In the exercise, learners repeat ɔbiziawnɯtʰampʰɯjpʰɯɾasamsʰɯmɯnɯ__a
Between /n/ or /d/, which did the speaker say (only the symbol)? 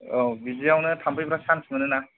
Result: n